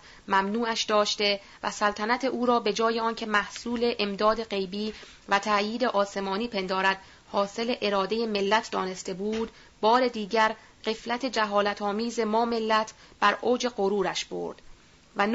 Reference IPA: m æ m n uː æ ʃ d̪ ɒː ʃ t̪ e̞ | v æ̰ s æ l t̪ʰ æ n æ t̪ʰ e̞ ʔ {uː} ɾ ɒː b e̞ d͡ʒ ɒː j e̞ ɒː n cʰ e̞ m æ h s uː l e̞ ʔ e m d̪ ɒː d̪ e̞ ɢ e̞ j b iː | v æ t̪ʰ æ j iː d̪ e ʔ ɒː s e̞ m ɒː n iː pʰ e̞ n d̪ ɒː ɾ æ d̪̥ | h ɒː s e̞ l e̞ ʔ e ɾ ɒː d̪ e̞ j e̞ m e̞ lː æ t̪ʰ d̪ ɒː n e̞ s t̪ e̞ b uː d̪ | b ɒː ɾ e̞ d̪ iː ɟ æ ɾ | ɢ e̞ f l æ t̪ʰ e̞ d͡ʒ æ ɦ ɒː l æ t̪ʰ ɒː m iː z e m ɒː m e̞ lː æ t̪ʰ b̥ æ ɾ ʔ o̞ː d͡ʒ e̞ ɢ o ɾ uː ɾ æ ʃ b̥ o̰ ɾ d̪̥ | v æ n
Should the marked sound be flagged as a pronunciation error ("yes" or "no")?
no